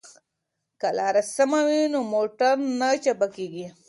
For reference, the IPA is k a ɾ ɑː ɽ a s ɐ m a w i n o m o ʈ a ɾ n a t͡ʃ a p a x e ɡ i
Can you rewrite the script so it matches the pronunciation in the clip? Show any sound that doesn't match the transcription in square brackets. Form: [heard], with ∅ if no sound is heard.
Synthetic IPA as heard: k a [l] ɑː [ɾ] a s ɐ m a w i n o m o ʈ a ɾ n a t͡ʃ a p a [k] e ɡ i